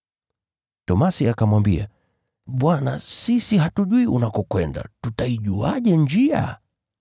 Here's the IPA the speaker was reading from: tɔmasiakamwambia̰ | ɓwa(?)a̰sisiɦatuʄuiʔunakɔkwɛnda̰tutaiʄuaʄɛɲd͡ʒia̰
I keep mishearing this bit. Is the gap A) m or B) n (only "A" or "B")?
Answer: B